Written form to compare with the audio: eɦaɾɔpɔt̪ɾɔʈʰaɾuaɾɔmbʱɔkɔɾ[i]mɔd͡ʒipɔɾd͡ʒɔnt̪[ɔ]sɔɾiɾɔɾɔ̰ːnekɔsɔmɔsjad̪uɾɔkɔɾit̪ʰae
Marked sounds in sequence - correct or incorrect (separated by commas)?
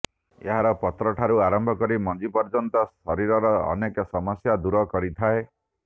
correct, correct